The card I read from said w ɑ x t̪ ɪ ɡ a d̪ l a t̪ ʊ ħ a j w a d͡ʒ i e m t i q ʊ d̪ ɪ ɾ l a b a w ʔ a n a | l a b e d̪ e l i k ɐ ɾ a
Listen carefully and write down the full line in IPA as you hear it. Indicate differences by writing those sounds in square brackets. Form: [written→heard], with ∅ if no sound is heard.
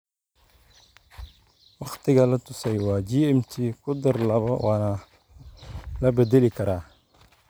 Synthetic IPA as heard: w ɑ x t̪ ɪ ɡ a [d̪→∅] l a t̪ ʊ [ħ→s] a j w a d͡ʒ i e m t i [q→k] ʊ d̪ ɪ ɾ l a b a w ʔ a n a | l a b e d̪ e l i k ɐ ɾ a

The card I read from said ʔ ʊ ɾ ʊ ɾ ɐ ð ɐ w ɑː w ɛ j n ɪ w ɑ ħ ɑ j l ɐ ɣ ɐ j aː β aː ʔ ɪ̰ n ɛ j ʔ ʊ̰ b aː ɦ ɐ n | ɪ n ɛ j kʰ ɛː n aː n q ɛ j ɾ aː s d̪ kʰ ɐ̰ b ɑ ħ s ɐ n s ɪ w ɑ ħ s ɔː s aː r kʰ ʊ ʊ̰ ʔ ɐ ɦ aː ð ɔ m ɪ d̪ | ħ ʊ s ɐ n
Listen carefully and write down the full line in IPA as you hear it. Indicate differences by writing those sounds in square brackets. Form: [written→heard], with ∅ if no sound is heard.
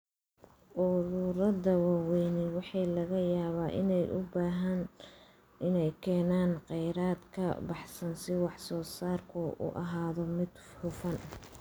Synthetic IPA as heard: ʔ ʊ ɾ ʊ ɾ ɐ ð ɐ w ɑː w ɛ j n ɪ w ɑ ħ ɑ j l ɐ ɣ ɐ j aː β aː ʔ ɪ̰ n ɛ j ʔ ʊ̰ b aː ɦ ɐ n | ɪ n ɛ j kʰ ɛː n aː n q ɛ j ɾ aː [s→∅] d̪ kʰ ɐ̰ b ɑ ħ s ɐ n s ɪ w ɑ ħ s ɔː s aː r kʰ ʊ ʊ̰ ʔ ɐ ɦ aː ð ɔ m ɪ d̪ | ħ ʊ [s→f] ɐ n

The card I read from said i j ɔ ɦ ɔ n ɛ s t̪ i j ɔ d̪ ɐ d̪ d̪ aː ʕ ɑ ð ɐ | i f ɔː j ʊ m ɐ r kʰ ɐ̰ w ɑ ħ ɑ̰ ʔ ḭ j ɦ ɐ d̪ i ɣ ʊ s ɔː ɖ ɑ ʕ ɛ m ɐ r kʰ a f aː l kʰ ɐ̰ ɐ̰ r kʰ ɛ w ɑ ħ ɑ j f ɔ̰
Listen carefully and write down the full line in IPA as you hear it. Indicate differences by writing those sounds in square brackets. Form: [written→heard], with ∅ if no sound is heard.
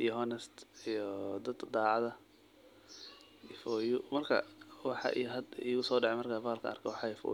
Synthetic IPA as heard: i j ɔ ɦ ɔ n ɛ s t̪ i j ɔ d̪ ɐ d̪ d̪ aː ʕ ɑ ð ɐ | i f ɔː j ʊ m ɐ r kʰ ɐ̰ w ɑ ħ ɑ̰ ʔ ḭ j ɦ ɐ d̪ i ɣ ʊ s ɔː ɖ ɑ ʕ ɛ m ɐ r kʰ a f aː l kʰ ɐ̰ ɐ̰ r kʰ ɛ w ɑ ħ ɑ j f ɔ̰

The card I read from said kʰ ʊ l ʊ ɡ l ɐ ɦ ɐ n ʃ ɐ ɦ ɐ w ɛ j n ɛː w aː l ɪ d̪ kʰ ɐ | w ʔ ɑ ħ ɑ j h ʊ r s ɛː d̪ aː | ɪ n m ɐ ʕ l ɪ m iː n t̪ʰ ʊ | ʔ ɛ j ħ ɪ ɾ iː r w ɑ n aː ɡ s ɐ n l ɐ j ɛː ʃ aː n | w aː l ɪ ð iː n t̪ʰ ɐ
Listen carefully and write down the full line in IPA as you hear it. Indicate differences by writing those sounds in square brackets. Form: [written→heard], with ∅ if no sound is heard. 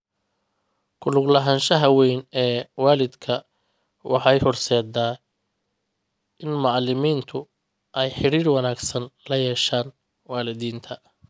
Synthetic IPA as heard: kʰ ʊ l ʊ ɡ l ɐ ɦ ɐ n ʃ ɐ ɦ ɐ w ɛ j n ɛː w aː l ɪ d̪ kʰ ɐ | w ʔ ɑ ħ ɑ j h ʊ r s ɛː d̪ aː | ɪ n m [ɐ→ɑ] ʕ l ɪ m iː n t̪ʰ ʊ | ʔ ɛ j ħ ɪ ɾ iː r w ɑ n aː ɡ s ɐ n l ɐ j ɛː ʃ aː n | w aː l ɪ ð iː n t̪ʰ ɐ

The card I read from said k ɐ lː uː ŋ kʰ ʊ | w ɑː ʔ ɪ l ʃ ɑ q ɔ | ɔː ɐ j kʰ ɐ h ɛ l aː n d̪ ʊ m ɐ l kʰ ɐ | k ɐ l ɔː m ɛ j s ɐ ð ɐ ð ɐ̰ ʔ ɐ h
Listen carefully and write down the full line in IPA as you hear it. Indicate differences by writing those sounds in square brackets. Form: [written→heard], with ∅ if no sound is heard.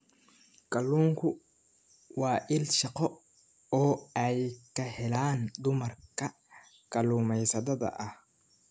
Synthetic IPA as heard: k ɐ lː uː ŋ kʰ ʊ | w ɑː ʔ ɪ l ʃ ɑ q ɔ | ɔː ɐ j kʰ ɐ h ɛ l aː n d̪ ʊ m ɐ [l→r] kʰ ɐ | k ɐ l [ɔː→uː] m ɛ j s ɐ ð ɐ ð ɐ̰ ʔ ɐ h

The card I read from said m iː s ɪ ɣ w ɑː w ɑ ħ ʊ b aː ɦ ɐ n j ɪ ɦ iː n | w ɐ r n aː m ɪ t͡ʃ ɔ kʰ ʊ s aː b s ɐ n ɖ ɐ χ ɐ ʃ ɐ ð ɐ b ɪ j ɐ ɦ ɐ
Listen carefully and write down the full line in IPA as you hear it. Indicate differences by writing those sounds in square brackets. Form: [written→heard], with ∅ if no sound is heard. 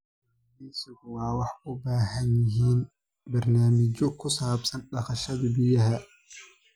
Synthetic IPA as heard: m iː s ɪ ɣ w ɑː w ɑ ħ ʊ b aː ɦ ɐ n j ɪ ɦ iː n | [w→b] ɐ r n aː m ɪ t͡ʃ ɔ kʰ ʊ s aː b s ɐ n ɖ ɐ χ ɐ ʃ ɐ ð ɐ b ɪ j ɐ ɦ ɐ

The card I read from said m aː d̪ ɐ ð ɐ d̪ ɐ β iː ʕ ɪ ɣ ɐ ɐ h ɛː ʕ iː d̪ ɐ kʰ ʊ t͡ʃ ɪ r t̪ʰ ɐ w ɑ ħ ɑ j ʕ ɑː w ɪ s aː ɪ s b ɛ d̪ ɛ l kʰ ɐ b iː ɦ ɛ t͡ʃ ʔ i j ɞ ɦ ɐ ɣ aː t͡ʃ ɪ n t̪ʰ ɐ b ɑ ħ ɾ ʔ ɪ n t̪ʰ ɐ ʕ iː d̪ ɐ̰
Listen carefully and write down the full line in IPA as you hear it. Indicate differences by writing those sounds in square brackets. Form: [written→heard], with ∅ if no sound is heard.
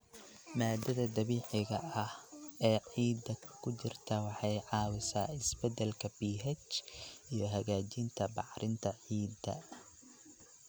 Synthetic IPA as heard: m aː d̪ ɐ ð ɐ d̪ ɐ β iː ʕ ɪ ɣ ɐ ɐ h ɛː ʕ iː d̪ ɐ kʰ ʊ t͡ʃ ɪ r t̪ʰ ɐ w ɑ ħ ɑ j ʕ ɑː w ɪ s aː ɪ s b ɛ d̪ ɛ l kʰ ɐ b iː ɦ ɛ t͡ʃ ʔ i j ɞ ɦ ɐ ɣ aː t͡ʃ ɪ n t̪ʰ ɐ b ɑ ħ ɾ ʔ ɪ n t̪ʰ ɐ ʕ iː d̪ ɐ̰

